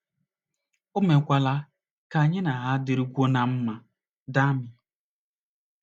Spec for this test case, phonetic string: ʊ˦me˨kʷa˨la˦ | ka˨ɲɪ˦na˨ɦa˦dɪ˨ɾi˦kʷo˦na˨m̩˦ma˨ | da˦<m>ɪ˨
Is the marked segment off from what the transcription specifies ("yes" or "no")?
no